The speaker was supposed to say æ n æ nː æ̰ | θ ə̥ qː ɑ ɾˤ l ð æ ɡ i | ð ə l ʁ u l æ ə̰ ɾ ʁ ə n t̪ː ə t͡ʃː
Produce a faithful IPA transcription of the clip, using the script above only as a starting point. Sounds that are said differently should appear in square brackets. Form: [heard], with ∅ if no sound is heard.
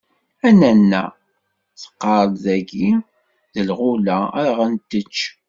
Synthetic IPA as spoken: æ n æ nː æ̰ | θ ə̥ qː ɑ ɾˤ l ð æ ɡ i | ð ə l ʁ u l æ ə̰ ɾ ʁ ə n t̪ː ə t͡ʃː